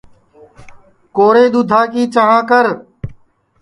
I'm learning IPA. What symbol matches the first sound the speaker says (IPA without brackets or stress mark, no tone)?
k